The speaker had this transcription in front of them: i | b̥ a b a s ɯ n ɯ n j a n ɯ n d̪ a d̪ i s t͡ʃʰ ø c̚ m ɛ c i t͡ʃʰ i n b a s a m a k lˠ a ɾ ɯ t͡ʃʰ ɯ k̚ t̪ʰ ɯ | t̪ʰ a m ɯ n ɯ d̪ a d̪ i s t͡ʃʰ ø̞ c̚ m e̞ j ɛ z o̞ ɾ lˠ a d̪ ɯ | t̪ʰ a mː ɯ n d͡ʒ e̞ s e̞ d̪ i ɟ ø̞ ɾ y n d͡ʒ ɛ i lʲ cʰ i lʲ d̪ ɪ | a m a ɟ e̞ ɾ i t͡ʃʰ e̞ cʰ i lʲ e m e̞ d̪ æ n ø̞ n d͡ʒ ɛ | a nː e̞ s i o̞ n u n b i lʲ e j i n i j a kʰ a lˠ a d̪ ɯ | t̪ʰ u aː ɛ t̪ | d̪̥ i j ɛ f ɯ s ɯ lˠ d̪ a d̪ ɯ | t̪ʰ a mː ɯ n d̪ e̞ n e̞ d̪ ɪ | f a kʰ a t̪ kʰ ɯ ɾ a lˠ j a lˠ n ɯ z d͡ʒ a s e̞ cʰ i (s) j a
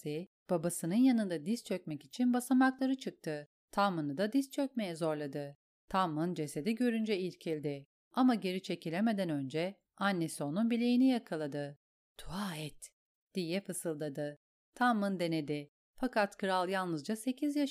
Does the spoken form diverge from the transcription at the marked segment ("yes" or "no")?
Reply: yes